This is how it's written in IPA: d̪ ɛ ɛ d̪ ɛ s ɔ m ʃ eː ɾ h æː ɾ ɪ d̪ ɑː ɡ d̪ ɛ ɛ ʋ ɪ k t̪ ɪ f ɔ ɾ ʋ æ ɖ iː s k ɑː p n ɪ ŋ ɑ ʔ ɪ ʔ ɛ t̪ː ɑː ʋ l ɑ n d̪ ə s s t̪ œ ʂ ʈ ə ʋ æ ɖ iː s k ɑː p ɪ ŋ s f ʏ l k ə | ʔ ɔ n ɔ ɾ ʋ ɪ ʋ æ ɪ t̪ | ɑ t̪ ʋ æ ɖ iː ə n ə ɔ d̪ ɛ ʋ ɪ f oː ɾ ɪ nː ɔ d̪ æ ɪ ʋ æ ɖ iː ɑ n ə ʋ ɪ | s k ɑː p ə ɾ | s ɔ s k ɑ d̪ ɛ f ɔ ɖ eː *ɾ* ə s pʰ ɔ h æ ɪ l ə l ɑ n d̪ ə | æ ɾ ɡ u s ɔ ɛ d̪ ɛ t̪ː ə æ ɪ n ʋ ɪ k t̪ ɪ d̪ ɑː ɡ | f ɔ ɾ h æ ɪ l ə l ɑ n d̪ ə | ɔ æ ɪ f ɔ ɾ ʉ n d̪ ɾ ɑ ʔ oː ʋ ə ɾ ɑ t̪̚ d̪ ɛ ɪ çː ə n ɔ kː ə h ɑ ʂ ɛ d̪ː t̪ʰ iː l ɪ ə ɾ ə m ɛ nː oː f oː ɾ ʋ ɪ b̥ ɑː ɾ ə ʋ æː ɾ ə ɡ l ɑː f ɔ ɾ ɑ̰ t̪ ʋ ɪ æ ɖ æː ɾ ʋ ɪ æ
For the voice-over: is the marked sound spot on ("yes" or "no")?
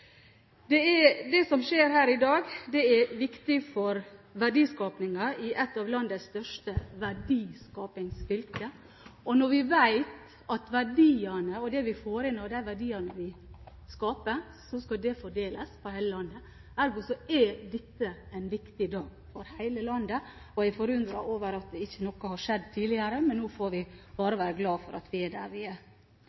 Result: no